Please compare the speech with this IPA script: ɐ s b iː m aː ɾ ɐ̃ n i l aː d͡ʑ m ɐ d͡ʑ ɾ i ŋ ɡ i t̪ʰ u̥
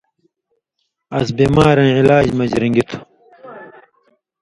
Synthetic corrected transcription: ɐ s b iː m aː ɾ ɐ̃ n i l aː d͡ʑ m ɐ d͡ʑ ɾ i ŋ ɡ i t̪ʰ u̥